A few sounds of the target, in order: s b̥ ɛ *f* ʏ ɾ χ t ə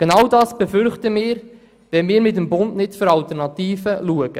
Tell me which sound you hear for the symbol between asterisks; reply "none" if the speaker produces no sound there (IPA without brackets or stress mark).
f